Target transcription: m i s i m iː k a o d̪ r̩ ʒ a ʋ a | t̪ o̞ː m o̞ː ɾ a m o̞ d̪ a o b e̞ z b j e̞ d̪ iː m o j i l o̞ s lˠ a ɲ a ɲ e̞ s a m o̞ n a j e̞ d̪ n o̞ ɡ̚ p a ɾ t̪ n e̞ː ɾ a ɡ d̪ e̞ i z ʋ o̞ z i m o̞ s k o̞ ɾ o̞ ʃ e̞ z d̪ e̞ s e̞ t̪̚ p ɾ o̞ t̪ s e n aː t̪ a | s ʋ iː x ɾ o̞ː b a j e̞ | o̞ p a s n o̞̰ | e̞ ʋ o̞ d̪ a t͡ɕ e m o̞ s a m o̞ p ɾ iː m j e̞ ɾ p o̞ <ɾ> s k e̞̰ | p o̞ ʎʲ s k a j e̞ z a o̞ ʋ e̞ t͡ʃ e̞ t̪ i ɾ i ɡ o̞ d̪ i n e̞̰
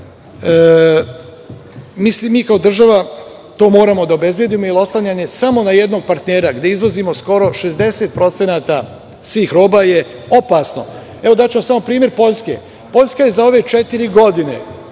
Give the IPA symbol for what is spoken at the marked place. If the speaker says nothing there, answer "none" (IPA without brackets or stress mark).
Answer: ʎ